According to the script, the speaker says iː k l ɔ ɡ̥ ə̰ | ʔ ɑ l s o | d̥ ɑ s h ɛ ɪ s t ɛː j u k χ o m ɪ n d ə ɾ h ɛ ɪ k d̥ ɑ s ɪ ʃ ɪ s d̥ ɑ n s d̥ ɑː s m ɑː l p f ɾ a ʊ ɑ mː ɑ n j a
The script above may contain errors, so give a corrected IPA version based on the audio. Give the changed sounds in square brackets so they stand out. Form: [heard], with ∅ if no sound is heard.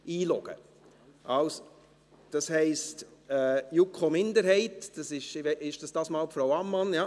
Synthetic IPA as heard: iː [∅] l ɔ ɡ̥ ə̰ | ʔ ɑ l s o | d̥ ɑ s h ɛ ɪ s t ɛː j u k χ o m ɪ n d ə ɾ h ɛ ɪ [t] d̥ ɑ s ɪ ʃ ɪ [ʃ] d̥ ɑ [∅] s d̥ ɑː s m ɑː l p f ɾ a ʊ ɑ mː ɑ n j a